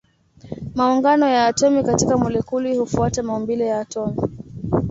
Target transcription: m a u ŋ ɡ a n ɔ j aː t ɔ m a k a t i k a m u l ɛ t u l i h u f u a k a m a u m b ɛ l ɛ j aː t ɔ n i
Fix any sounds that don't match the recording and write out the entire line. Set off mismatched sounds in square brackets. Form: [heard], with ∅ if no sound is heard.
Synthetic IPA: m a u ŋ ɡ a n ɔ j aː t ɔ m [i] k a t i k a m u l ɛ [k] u l i h u f u a [t] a m a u m b [i] l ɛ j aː t ɔ [m] i